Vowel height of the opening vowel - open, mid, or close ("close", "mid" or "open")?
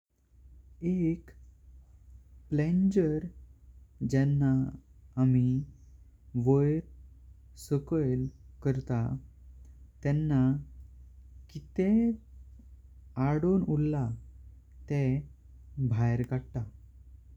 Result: mid